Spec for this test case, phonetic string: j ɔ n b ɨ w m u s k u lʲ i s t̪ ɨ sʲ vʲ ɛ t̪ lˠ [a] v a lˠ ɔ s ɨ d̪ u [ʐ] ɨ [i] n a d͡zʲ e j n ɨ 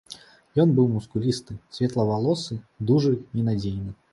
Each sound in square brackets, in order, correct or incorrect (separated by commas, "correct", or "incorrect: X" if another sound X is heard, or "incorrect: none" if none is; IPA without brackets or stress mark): incorrect: ɐ, correct, correct